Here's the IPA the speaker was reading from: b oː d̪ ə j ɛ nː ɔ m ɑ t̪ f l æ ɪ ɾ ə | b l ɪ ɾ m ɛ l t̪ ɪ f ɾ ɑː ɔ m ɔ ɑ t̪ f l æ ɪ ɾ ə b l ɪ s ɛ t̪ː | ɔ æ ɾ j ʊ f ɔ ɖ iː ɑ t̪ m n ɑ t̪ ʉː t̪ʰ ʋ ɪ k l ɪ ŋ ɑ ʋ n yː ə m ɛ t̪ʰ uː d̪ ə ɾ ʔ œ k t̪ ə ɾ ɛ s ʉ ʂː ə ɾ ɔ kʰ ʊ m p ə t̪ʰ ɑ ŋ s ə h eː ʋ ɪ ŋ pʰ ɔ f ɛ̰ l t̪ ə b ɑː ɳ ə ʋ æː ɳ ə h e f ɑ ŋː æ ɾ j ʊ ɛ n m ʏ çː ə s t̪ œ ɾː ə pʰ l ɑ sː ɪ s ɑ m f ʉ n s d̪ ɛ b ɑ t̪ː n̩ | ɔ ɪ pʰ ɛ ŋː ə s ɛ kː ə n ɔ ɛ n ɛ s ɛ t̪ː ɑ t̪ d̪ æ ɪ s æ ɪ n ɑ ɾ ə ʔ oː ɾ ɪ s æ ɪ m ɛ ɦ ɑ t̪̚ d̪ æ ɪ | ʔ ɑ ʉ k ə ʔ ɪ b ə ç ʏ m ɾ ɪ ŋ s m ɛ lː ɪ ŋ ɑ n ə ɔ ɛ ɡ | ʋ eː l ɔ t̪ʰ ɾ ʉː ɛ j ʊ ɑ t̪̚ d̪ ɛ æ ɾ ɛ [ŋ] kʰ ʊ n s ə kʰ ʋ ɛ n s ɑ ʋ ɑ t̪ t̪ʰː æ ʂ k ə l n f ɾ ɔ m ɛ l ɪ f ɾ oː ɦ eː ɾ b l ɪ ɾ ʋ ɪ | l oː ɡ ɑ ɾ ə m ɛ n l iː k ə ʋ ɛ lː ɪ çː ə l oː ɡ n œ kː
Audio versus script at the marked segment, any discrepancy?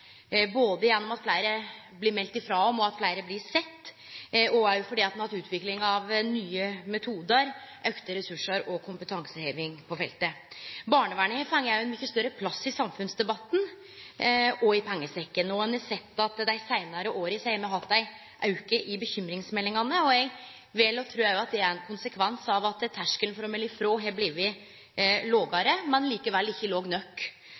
yes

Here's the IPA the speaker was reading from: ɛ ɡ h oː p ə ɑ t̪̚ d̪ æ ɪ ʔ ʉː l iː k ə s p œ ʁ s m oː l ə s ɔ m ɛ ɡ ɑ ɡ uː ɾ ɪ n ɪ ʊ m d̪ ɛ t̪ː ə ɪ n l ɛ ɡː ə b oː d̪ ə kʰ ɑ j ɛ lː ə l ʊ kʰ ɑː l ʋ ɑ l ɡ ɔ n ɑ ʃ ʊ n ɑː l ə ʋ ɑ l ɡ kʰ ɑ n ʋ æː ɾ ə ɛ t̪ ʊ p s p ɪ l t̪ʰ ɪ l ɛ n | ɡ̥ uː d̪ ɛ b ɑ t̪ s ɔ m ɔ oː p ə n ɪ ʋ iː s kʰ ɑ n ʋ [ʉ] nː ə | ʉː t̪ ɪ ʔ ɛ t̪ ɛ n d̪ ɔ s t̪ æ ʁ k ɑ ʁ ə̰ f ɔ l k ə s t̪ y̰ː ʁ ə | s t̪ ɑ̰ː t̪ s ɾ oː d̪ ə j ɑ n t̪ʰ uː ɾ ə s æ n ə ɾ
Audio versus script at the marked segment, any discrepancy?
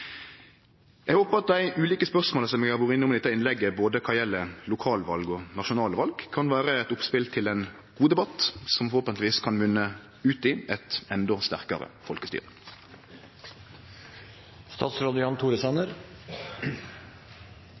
no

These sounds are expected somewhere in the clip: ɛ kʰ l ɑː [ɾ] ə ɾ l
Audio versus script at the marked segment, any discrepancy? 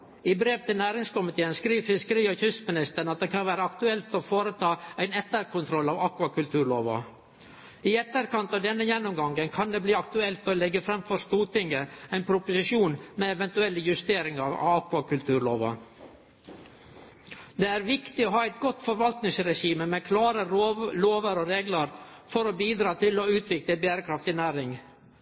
no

